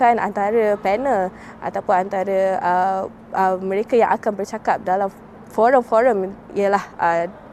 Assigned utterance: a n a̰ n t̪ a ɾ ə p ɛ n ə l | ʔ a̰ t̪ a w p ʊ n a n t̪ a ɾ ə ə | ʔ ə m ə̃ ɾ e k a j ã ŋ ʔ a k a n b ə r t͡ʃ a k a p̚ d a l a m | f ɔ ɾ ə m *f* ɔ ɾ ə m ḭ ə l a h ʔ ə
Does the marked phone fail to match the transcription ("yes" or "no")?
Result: no